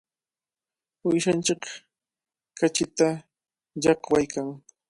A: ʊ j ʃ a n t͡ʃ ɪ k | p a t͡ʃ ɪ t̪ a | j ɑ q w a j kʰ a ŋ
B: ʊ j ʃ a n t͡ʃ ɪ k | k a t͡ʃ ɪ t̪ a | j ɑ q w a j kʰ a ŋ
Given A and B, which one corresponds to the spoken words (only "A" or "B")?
B